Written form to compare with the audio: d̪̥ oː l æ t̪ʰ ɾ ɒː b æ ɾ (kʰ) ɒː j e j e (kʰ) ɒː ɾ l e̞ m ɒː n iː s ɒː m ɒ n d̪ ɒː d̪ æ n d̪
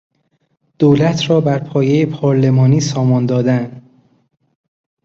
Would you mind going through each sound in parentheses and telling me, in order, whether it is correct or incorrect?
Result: incorrect: pʰ, incorrect: pʰ

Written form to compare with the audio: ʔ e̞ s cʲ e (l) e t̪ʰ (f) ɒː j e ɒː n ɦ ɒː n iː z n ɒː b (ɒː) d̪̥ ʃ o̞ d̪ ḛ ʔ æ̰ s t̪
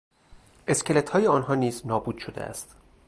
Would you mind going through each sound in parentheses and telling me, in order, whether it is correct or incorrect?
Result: correct, incorrect: h, incorrect: uː

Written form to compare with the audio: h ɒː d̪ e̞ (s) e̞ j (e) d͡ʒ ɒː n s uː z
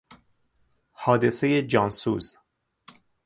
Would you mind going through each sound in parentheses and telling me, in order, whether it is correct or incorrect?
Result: correct, correct

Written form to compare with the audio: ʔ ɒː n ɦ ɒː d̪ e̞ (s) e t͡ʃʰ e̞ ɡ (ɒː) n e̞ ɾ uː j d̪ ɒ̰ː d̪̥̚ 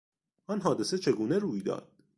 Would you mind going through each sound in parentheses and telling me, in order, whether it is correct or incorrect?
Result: correct, incorrect: uː

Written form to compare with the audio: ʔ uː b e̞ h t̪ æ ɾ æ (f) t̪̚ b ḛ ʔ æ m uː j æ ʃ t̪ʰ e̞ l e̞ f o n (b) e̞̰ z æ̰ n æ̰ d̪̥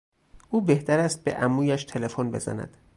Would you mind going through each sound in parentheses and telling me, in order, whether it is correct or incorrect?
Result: incorrect: s, correct

